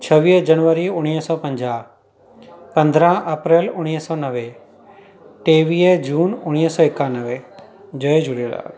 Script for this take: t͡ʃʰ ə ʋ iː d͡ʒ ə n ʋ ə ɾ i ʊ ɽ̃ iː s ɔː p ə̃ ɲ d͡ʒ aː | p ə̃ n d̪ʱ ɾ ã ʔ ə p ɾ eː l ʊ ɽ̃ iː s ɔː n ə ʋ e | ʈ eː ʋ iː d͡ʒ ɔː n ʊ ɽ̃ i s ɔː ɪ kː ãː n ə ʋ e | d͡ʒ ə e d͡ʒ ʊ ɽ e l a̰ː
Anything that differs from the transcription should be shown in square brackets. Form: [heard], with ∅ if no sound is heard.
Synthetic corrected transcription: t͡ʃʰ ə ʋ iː d͡ʒ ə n ʋ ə ɾ i ʊ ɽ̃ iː s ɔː p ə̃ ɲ d͡ʒ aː | p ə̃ n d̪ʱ ɾ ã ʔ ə p ɾ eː l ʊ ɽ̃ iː s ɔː n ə ʋ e | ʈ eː ʋ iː d͡ʒ [uː] n ʊ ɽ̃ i s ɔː ɪ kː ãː n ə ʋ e | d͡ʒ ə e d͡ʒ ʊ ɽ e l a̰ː